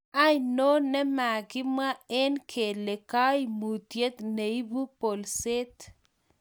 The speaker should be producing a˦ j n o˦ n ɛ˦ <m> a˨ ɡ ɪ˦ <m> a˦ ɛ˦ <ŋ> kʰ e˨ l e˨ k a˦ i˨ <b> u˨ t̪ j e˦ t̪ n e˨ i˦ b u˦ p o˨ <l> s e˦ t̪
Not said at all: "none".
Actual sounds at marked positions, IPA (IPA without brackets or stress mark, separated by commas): m, m, n, m, l